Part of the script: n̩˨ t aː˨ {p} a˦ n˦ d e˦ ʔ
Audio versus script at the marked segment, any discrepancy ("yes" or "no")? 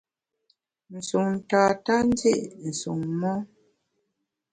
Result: yes